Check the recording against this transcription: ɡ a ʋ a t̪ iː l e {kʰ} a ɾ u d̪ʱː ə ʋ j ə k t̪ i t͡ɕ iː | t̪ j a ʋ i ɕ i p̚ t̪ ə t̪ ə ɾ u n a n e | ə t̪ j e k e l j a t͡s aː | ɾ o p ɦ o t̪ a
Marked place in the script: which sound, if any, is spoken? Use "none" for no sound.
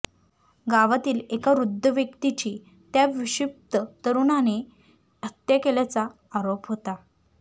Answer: k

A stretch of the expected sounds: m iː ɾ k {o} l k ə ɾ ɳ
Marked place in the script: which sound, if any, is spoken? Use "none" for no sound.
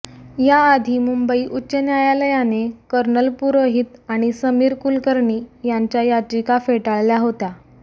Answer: u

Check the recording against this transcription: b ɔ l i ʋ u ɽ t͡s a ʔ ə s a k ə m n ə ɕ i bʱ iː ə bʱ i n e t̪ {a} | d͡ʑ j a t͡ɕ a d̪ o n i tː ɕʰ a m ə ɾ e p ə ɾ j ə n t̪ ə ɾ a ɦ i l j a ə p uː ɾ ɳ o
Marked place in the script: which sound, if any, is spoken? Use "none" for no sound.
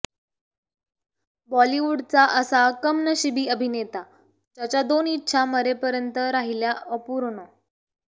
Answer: a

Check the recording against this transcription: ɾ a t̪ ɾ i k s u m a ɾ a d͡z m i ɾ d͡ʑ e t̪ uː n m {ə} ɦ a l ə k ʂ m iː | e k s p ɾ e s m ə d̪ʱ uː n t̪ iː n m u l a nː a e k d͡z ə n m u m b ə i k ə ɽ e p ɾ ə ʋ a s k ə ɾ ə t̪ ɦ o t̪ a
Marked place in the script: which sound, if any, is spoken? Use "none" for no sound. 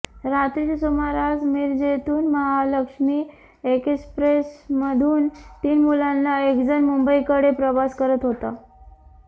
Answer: ə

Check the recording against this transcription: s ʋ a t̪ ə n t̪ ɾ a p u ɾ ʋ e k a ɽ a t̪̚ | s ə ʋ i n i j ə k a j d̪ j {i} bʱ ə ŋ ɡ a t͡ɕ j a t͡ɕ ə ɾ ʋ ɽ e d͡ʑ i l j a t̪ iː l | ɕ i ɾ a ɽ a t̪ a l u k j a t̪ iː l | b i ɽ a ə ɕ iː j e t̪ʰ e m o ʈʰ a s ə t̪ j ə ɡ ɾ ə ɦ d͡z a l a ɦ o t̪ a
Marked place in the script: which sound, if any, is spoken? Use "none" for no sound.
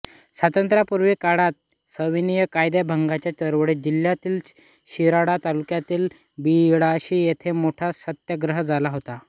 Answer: a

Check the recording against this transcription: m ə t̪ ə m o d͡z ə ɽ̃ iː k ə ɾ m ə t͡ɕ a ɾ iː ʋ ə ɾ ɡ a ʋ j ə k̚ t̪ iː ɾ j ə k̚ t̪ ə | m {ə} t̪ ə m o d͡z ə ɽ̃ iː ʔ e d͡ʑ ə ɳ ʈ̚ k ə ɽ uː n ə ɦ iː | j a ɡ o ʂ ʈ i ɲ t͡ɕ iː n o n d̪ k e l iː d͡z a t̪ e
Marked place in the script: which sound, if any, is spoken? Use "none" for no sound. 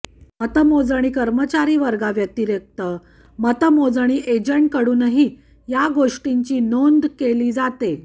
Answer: ə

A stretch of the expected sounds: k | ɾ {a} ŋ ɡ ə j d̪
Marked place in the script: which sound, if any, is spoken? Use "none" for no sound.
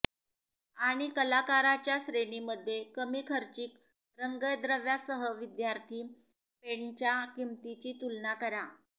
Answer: ə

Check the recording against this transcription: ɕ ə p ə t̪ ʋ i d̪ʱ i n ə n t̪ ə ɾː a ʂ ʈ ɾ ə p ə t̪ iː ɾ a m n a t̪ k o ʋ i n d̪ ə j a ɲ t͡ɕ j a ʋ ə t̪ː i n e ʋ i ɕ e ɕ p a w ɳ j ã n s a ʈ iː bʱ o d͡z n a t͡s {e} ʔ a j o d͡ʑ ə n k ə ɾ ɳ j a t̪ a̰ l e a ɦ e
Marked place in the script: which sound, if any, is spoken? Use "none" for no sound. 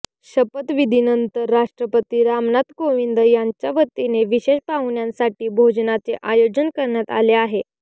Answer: e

